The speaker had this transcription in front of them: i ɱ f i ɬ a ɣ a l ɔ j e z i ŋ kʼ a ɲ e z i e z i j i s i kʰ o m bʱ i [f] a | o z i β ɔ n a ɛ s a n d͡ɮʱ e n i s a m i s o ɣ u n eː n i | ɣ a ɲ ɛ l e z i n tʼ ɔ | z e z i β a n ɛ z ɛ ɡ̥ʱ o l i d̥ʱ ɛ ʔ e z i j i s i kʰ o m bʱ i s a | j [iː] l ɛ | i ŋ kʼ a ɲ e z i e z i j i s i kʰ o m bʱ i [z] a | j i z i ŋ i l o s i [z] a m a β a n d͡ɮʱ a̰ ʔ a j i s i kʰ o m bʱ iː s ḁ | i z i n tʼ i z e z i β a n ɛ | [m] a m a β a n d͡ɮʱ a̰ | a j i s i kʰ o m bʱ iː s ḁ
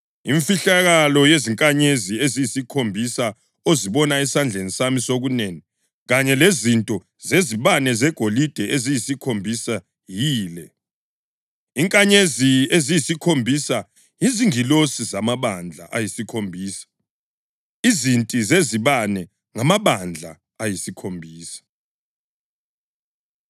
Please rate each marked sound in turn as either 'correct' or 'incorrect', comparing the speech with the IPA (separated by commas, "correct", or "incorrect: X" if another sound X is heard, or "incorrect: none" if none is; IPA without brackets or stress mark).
incorrect: s, correct, incorrect: s, correct, incorrect: ŋ